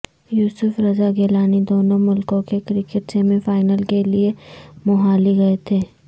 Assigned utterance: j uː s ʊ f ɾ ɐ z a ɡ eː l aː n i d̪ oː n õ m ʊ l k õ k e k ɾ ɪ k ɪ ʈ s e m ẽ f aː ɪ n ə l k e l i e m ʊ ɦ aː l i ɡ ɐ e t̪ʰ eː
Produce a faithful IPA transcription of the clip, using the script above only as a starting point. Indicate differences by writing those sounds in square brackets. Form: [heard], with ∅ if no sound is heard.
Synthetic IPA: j uː s ʊ f ɾ ɐ z a ɡ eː l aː n i d̪ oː n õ m ʊ l k õ k e k ɾ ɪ k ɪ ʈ s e m ẽ f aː ɪ n ə l k e l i e m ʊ ɦ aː l i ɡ ɐ e t̪ʰ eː